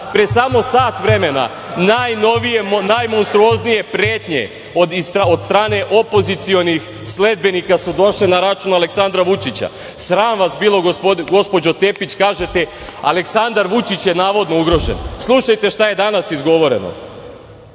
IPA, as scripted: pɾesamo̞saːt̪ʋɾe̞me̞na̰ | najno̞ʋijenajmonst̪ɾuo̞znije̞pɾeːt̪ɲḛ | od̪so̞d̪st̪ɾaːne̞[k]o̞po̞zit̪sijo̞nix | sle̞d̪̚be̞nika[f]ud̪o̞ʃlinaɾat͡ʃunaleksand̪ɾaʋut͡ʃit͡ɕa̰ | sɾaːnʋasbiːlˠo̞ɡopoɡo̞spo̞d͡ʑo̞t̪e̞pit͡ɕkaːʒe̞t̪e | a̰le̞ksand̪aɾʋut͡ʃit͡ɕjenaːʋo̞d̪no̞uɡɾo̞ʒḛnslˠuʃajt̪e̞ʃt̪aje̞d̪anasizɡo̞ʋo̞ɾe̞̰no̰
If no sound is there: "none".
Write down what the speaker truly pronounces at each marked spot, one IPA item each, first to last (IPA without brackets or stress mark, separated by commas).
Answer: ʔ, s